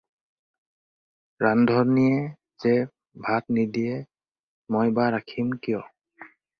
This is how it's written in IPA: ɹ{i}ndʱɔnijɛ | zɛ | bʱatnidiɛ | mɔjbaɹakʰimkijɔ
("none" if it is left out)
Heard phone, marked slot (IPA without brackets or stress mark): a